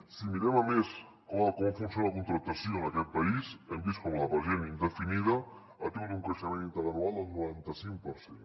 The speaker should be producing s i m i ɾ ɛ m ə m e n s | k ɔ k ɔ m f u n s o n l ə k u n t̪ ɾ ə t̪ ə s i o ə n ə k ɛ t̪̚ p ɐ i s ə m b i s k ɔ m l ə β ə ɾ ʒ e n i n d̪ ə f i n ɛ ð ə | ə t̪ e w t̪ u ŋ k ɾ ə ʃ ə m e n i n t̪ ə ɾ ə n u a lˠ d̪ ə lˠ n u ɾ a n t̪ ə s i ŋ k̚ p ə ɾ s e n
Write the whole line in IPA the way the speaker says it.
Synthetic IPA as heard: s i m i ɾ ɛ m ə m e s | k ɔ k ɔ m f u n s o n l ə k u n t̪ ɾ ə t̪ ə s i o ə n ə k ɛ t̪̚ p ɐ i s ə m b i s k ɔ m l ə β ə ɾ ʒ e n i n d̪ ə f i n i ð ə | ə t̪ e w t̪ u ŋ k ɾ ə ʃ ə m e n i n t̪ ə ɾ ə n u a lˠ d̪ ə lˠ n u ɾ a n t̪ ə s i ŋ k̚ p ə ɾ s e n